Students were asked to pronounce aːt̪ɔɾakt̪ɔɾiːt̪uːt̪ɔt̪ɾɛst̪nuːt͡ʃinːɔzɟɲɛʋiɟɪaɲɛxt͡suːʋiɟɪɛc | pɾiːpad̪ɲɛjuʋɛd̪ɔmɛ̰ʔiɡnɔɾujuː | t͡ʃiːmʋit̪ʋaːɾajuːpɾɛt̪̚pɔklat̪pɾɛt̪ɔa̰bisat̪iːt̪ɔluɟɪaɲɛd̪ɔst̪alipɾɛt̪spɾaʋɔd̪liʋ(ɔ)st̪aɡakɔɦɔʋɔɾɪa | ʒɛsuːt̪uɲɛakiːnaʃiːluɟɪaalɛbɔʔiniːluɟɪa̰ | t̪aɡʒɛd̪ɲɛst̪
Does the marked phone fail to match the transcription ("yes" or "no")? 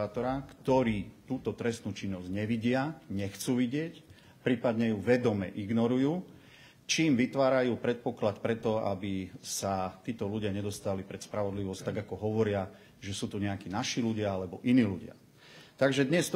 no